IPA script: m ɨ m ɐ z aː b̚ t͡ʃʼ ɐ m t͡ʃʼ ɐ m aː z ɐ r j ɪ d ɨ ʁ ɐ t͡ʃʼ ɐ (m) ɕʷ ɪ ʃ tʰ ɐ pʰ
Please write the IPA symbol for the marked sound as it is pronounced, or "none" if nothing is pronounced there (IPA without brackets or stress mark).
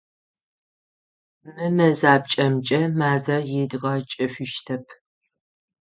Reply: none